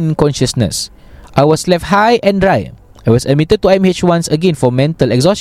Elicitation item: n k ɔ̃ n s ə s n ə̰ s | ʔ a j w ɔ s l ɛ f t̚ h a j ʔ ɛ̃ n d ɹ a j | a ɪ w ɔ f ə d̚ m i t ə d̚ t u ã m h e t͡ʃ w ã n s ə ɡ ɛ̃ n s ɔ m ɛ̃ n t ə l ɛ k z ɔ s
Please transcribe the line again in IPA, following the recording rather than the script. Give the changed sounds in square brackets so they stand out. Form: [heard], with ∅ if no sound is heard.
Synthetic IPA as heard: n k ɔ̃ n [ʃ] ə s n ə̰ s | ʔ a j w ɔ s l ɛ f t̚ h a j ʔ ɛ̃ n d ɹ a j | a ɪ w ɔ [s] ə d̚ m i t ə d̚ t u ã m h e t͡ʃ w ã n s ə ɡ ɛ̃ n [f] ɔ m ɛ̃ n t ə l ɛ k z ɔ s